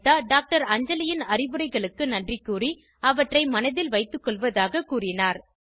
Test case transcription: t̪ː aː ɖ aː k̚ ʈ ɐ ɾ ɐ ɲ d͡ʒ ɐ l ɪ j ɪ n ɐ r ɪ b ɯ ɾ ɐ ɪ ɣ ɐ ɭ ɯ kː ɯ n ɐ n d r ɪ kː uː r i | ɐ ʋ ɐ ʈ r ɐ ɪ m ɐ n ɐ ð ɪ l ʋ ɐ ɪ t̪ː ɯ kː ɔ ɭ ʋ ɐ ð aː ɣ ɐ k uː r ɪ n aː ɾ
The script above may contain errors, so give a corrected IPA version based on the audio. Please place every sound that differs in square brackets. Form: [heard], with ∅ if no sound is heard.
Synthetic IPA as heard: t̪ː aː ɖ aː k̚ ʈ ɐ ɾ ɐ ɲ d͡ʒ ɐ l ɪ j ɪ n ɐ r ɪ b ɯ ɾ ɐ ɪ ɣ ɐ ɭ ɯ kː ɯ n ɐ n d r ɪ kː uː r i | ɐ ʋ ɐ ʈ r ɐ ɪ m ɐ n ɐ ð ɪ l ʋ ɐ ɪ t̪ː ɯ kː ɔ ɭ ʋ ɐ ð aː ɣ ɐ k uː r ɪ n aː ɾ